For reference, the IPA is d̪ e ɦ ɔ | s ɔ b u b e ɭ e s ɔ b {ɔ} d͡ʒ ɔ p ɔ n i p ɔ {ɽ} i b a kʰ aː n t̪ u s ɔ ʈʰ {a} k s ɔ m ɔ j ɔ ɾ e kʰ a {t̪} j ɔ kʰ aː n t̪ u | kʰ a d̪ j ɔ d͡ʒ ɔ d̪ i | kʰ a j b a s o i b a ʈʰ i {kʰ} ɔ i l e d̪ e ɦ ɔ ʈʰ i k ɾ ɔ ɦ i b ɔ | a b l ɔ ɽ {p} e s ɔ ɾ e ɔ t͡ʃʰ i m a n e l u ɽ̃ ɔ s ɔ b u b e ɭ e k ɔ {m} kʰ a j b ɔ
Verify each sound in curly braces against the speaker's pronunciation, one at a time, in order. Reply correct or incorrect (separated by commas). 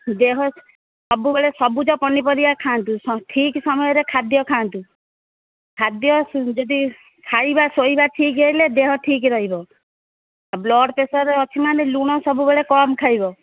incorrect, incorrect, incorrect, incorrect, incorrect, correct, correct